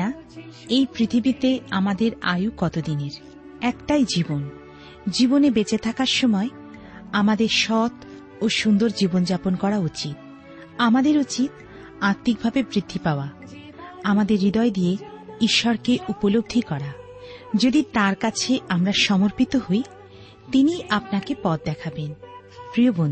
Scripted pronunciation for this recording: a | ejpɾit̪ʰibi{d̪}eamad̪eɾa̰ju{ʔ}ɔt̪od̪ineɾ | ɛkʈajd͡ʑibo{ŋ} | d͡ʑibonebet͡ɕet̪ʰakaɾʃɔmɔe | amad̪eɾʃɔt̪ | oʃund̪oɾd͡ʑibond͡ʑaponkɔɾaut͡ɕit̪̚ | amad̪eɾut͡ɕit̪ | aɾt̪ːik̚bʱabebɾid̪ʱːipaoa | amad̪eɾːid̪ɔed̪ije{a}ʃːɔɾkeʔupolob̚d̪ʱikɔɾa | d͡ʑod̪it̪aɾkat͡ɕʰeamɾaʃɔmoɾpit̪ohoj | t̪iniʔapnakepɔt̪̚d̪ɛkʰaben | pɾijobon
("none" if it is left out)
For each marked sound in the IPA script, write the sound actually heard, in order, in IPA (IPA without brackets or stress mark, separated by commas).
t̪, k, n, i